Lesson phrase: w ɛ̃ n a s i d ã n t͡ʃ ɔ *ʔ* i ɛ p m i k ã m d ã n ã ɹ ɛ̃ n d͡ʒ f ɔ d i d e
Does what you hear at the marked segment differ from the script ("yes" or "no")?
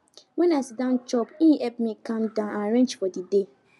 yes